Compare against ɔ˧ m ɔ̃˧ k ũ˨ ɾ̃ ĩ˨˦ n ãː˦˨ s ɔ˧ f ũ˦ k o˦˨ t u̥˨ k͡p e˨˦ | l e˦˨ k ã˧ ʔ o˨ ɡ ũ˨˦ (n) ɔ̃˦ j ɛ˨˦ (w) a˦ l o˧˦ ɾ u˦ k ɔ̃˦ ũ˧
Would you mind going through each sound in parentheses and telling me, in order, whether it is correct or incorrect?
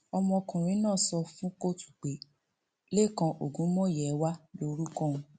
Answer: incorrect, correct

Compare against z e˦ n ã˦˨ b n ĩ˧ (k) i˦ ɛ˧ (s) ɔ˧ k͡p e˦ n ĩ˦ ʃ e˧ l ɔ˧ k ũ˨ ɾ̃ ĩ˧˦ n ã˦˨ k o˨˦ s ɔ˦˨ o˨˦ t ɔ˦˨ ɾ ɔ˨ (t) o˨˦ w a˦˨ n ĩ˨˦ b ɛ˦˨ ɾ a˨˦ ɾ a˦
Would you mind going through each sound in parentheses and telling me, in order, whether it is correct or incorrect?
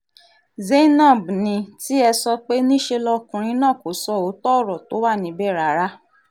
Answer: incorrect, correct, correct

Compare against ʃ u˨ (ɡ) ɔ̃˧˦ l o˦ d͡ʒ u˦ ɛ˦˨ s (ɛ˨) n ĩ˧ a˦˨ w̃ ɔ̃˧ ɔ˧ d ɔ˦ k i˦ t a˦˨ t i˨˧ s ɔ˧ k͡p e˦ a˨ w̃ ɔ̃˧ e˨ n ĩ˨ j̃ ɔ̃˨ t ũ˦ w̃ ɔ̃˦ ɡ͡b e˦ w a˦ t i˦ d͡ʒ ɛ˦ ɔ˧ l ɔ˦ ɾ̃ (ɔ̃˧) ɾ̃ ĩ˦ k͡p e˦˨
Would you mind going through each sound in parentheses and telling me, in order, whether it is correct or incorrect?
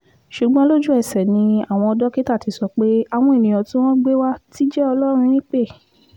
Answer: incorrect, correct, incorrect

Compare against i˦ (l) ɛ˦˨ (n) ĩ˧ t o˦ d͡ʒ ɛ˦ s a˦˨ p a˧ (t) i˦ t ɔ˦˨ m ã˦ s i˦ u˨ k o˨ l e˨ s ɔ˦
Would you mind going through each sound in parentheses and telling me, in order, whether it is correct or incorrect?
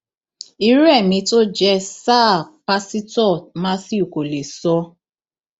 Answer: incorrect, incorrect, incorrect

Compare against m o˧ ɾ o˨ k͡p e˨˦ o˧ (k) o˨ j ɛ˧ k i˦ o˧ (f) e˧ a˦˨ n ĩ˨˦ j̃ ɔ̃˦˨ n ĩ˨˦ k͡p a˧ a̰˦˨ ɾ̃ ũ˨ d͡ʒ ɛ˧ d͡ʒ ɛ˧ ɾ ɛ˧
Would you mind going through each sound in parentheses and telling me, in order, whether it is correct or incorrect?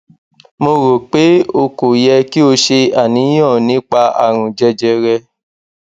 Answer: correct, incorrect

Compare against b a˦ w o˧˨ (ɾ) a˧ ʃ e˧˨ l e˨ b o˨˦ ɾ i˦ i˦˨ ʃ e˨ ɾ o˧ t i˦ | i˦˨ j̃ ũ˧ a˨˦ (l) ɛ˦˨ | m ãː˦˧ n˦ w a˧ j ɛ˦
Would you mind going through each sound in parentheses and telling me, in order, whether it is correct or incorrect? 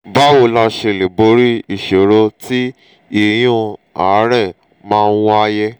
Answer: incorrect, incorrect

